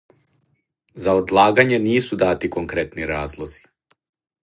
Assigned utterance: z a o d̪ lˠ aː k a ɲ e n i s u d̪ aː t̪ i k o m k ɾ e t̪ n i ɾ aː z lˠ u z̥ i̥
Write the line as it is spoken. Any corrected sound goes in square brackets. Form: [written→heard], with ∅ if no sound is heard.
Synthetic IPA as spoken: z a o d̪ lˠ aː [k→ɡ] a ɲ e n [i→iː] s u d̪ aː t̪ i k o [m→ŋ] k ɾ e t̪ n i ɾ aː z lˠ [u→o] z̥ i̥